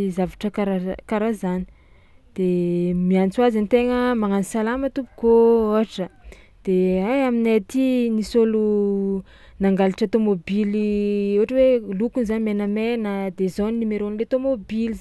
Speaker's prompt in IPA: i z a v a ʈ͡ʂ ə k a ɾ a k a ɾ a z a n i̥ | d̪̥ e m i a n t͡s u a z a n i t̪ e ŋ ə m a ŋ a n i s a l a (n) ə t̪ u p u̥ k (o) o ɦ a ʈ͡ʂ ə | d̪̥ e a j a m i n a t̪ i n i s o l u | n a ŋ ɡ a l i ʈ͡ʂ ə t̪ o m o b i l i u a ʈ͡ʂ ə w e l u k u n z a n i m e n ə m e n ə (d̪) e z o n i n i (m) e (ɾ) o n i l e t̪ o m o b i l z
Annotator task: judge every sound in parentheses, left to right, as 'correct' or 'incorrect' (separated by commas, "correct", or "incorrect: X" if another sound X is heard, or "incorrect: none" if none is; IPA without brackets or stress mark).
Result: incorrect: m, correct, correct, correct, correct